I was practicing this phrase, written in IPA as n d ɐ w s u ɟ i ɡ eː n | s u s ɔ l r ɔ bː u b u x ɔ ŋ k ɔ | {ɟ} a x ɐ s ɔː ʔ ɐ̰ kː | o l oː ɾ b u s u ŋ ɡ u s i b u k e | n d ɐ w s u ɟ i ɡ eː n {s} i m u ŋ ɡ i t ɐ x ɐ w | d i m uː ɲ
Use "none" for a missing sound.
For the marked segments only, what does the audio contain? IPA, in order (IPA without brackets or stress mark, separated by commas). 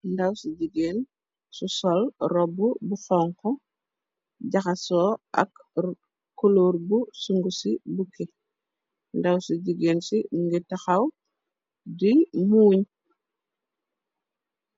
ɟ, s